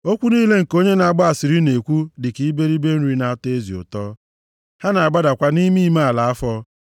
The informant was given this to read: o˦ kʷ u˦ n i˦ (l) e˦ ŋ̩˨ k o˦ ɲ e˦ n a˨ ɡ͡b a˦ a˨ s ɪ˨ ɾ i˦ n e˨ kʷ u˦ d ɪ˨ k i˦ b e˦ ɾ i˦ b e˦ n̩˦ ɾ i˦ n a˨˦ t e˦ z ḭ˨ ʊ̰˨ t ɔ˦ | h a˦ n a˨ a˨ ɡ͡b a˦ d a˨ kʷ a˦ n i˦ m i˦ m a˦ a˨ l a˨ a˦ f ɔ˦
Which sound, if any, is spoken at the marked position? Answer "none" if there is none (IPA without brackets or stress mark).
l